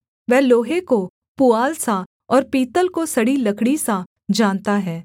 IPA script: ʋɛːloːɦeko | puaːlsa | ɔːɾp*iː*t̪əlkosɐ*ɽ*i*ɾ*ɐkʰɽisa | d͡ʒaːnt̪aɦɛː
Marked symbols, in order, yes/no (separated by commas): yes, yes, no